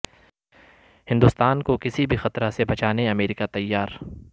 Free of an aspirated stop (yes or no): yes